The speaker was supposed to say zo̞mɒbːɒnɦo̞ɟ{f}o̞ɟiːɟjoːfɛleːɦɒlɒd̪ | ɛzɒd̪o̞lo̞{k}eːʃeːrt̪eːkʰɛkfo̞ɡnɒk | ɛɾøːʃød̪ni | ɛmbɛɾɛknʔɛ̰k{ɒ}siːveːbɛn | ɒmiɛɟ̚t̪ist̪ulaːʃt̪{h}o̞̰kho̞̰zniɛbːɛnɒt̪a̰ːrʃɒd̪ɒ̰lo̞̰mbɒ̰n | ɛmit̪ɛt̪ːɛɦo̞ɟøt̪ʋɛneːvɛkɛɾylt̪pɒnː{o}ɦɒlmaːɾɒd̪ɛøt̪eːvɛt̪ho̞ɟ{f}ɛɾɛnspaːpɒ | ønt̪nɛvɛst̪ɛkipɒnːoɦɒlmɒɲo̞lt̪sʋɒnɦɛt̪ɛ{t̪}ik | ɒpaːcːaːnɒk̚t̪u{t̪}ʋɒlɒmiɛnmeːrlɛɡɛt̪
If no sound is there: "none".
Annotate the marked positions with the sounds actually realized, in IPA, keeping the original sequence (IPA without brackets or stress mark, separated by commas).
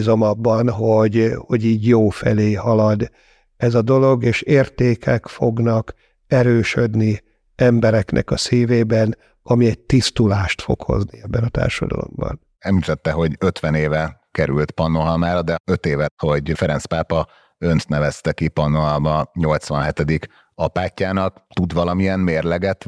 h, ɡ, ɒ, f, o, f, d̪, d̪